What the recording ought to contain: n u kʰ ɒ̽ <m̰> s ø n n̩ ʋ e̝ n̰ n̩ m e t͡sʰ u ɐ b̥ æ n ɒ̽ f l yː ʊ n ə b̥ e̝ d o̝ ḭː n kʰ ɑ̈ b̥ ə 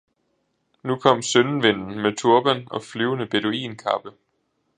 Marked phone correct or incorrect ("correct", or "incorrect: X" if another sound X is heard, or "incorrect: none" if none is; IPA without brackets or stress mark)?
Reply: correct